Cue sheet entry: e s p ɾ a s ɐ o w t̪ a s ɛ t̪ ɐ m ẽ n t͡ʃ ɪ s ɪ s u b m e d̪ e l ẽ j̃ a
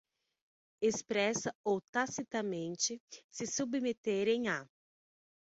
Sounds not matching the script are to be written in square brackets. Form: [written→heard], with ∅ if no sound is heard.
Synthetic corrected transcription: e s p ɾ [a→ɛ] s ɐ o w t̪ a s [ɛ→i] t̪ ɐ m ẽ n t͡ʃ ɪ s ɪ s u b m e [d̪→t̪] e [l→ɾ] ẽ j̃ a